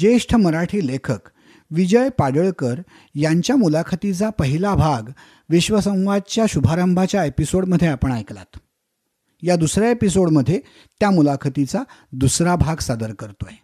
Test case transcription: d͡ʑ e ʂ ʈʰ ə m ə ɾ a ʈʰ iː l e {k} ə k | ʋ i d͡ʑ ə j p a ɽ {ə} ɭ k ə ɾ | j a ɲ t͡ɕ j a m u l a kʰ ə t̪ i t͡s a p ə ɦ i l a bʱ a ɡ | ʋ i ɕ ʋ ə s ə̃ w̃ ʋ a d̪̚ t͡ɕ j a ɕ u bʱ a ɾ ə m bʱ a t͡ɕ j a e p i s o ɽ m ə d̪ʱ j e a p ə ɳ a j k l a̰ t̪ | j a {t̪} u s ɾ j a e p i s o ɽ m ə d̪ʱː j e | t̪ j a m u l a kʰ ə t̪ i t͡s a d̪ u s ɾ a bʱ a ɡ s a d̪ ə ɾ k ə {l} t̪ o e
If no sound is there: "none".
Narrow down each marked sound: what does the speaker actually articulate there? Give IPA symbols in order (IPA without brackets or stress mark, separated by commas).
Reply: kʰ, ə, d̪, ɾ